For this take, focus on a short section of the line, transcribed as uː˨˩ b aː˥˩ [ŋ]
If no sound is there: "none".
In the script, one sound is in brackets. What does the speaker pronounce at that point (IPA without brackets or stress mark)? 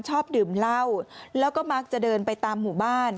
n